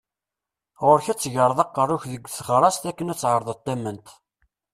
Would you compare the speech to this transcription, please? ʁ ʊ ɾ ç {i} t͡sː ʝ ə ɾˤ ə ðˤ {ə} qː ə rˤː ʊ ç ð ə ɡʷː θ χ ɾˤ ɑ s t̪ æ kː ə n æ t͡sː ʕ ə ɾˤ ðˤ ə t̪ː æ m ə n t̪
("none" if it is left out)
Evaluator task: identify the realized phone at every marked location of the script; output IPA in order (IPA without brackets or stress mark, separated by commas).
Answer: æ, ɑ